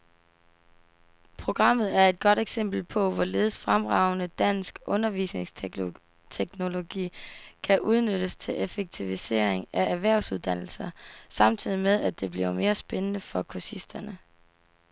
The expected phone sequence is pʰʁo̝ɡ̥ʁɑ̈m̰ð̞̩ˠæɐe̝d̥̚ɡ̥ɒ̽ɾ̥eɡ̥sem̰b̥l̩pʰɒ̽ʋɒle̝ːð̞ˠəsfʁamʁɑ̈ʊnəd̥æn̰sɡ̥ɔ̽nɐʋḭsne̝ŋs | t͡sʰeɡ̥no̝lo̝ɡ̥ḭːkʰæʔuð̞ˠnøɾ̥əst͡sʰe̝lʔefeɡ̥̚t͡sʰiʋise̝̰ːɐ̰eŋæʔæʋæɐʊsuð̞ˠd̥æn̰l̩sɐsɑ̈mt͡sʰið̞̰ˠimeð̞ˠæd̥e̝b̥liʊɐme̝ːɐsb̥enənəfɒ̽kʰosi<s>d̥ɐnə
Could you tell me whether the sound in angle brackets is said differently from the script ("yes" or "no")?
no